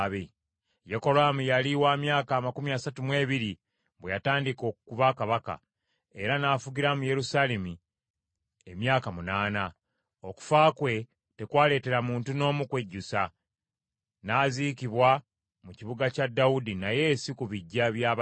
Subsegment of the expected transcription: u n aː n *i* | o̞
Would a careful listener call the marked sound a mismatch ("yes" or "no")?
yes